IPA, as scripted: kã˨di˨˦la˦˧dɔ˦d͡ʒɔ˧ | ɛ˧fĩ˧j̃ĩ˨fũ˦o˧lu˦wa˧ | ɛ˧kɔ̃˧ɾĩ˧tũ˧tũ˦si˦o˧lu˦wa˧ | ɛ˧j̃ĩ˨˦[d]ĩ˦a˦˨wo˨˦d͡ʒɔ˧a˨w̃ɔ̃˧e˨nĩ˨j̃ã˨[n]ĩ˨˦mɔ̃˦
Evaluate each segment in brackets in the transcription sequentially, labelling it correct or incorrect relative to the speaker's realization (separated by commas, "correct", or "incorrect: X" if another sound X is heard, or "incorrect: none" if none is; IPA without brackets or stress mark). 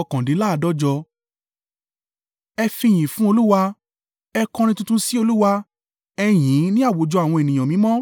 incorrect: n, incorrect: m